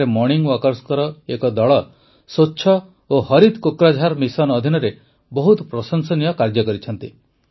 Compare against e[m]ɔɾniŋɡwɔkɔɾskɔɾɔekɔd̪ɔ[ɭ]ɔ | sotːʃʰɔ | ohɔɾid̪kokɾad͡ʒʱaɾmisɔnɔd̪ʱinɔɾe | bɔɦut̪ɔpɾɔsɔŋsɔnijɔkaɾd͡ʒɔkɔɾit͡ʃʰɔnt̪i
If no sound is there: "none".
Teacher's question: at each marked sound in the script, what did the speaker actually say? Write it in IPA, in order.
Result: m, ɭ

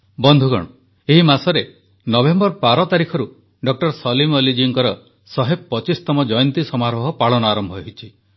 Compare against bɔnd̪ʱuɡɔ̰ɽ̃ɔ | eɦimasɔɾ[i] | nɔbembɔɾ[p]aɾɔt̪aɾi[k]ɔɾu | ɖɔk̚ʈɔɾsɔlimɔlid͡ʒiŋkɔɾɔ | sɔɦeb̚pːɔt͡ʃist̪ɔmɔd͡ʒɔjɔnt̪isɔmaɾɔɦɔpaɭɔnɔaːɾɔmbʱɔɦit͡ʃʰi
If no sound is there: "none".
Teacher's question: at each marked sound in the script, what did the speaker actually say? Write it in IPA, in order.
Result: e, p, kʰ

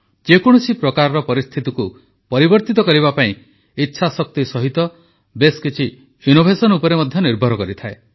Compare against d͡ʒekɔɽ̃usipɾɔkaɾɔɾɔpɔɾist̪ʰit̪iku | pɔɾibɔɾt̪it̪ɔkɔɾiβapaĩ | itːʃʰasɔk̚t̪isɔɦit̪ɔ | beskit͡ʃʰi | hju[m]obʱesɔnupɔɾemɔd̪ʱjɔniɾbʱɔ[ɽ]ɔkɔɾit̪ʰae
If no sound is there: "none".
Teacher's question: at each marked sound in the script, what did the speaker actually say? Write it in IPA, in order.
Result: n, ɾ

